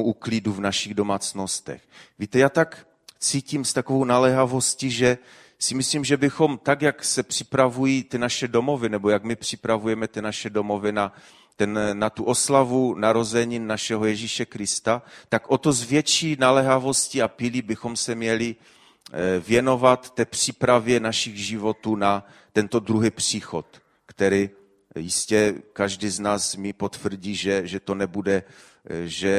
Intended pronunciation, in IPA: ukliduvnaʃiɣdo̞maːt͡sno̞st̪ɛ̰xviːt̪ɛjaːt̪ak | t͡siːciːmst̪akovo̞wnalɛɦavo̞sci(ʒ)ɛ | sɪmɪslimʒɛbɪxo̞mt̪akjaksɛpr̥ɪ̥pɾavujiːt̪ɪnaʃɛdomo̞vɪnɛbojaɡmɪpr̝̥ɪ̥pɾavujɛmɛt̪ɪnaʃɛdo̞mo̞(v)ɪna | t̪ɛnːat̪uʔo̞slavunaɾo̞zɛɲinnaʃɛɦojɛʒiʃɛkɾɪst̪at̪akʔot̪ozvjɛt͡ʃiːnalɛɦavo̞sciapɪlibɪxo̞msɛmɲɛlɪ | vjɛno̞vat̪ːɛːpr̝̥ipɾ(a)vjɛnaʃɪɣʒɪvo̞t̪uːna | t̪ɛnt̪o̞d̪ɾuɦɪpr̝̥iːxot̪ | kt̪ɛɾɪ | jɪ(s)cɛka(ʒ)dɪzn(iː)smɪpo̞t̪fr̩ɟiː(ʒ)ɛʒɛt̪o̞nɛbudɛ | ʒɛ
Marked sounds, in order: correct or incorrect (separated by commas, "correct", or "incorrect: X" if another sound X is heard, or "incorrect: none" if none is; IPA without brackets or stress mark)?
correct, correct, correct, correct, correct, incorrect: aː, correct